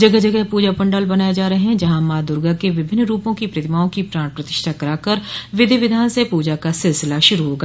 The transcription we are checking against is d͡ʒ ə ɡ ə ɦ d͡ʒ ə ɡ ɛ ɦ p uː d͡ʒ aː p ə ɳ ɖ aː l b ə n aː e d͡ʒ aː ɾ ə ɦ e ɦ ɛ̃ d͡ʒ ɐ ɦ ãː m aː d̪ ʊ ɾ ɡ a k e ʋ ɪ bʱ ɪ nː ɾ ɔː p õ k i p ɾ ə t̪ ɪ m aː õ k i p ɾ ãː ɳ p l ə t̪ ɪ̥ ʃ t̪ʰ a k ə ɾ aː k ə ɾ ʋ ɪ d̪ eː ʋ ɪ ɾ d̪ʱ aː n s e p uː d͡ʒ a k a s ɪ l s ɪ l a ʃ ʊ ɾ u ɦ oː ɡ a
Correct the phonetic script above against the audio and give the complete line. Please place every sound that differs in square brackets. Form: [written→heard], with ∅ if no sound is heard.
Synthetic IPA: d͡ʒ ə ɡ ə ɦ d͡ʒ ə ɡ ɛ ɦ p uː d͡ʒ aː p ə ɳ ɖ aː l b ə n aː e d͡ʒ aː ɾ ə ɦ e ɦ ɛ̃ d͡ʒ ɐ ɦ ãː m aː d̪ ʊ ɾ ɡ a k e ʋ ɪ bʱ ɪ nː ɾ [ɔː→uː] p õ k i p ɾ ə t̪ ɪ m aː õ k i p ɾ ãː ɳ p [l→ɾ] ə t̪ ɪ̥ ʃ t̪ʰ a k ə ɾ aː k ə ɾ ʋ ɪ d̪ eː ʋ ɪ [ɾ→∅] d̪ʱ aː n s e p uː d͡ʒ a k a s ɪ l s ɪ l a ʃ ʊ ɾ u ɦ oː ɡ a